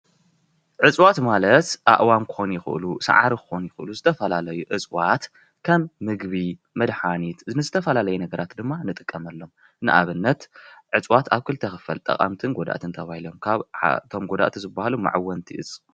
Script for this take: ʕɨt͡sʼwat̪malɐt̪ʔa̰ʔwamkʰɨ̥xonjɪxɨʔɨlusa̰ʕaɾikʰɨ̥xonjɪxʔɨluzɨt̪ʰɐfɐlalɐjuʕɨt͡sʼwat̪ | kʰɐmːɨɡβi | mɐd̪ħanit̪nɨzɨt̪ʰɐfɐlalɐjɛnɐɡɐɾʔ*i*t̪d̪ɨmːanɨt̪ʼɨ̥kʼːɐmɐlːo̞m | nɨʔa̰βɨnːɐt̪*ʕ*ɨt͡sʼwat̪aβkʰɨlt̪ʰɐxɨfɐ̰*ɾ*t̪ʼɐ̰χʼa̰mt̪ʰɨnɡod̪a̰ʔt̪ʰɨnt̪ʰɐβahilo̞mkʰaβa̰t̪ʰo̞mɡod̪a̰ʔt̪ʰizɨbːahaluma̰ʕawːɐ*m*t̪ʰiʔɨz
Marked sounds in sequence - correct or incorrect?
incorrect: a, correct, incorrect: l, incorrect: n

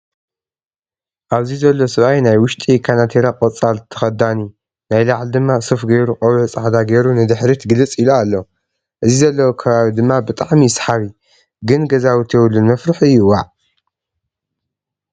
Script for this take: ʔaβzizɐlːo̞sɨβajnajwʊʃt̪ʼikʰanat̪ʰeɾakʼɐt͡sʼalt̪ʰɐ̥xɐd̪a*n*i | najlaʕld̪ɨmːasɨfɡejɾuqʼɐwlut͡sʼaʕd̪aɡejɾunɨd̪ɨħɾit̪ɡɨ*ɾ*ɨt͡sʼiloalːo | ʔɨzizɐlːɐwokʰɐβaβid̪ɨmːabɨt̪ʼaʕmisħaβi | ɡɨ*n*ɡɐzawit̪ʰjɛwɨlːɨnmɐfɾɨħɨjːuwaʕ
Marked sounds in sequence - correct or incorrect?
correct, incorrect: l, correct

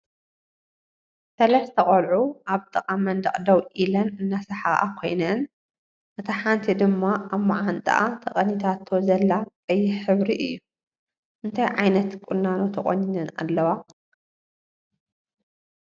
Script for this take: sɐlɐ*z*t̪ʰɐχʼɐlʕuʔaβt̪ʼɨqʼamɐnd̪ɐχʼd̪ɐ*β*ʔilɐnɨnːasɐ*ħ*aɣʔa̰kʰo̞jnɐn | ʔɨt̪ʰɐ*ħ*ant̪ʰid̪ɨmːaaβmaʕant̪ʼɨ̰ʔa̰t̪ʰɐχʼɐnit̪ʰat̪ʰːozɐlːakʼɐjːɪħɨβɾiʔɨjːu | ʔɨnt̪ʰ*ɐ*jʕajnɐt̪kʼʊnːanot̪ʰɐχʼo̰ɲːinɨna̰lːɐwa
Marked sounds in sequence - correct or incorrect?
incorrect: s, incorrect: w, correct, correct, incorrect: a

